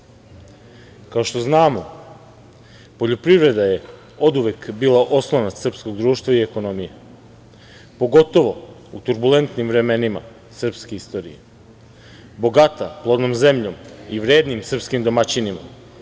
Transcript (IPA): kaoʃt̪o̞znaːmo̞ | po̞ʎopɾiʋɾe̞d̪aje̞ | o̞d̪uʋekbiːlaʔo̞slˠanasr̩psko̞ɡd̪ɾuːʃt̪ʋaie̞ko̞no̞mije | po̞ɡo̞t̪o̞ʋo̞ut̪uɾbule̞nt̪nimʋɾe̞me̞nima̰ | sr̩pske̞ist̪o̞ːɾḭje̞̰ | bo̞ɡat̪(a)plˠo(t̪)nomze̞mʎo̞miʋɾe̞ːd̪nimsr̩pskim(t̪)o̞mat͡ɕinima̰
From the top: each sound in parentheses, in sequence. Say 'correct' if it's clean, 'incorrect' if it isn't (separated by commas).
correct, incorrect, incorrect